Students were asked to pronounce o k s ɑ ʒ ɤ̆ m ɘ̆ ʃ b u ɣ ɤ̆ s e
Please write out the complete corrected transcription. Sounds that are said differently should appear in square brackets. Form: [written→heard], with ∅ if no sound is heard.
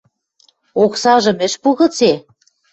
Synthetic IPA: o k s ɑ ʒ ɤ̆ m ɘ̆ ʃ [b→p] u ɣ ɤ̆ [s→t͡s] e